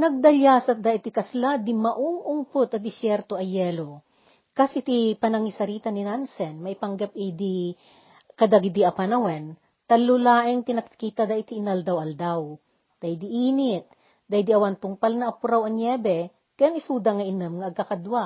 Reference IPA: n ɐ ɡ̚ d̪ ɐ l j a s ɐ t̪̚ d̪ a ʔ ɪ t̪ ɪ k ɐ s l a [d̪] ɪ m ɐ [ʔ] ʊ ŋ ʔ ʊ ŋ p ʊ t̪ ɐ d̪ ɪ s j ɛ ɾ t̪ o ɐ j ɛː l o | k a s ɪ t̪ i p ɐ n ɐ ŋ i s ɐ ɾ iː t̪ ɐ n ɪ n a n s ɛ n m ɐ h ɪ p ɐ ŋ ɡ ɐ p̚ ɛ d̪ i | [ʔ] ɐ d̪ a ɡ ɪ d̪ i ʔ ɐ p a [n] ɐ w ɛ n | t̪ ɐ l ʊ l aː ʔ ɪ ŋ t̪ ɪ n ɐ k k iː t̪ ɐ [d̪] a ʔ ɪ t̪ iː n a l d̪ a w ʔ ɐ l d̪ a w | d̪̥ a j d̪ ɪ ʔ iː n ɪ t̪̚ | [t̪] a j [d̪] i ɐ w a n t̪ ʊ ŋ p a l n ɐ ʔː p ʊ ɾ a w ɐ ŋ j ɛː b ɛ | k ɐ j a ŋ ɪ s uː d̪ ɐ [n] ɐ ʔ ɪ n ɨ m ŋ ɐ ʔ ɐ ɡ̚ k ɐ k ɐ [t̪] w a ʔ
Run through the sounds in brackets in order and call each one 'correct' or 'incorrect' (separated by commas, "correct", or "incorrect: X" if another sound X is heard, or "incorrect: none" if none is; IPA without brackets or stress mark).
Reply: correct, correct, incorrect: k, correct, correct, incorrect: d̪, correct, incorrect: ŋ, incorrect: d̪